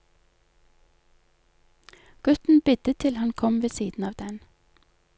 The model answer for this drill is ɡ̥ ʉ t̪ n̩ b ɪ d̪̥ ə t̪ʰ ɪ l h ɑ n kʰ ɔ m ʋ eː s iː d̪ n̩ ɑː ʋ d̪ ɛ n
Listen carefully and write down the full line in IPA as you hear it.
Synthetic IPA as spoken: ɡ̥ ʉ t̪ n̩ b ɪ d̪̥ ə t̪ʰ ɪ l h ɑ n kʰ ɔ m ʋ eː s iː d̪ n̩ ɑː ʋ d̪ ɛ n